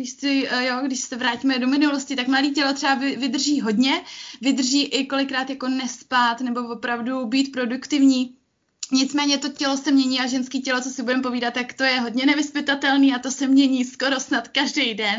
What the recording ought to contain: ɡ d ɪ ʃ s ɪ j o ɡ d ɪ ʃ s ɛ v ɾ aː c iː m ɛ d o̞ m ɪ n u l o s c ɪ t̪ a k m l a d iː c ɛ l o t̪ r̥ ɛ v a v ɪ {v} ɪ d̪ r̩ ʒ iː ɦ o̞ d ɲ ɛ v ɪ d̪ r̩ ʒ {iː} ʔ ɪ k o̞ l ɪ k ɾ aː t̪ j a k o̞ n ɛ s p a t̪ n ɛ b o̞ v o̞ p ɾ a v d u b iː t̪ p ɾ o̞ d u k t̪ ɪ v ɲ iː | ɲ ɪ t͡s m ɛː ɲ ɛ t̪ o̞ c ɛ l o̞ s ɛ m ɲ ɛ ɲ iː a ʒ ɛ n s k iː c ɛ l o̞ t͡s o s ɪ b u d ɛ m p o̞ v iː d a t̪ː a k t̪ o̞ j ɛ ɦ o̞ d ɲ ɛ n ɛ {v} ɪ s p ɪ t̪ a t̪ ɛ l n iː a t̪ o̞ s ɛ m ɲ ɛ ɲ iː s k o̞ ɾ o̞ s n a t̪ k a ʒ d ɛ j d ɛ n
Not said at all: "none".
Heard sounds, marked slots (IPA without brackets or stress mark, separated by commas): v, iː, v